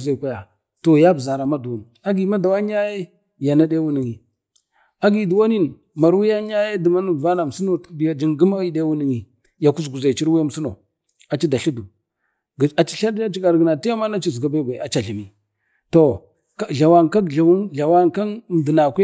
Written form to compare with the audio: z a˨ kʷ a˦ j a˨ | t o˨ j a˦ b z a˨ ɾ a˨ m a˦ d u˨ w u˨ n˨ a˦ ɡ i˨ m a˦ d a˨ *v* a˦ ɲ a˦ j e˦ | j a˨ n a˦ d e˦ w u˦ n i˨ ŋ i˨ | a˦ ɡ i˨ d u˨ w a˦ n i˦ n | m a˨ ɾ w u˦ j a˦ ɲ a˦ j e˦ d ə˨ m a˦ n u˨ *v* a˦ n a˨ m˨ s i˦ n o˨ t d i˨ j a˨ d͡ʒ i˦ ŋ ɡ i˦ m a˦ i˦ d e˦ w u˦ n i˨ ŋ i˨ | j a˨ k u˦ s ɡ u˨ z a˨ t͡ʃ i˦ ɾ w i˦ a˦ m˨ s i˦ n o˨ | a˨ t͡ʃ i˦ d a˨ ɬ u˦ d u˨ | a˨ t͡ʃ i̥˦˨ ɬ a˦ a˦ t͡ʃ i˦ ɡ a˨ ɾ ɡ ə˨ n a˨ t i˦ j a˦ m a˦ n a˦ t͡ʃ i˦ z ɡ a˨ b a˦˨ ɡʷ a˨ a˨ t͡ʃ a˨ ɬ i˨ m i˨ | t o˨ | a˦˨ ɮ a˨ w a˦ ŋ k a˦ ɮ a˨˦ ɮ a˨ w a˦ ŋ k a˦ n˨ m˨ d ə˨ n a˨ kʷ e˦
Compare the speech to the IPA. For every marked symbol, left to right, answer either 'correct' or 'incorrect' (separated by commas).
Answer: incorrect, correct